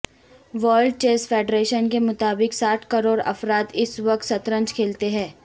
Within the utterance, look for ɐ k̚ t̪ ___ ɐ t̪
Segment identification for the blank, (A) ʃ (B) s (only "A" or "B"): B